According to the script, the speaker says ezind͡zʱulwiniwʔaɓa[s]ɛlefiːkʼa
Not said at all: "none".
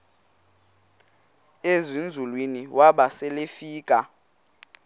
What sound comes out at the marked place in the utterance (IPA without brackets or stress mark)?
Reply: s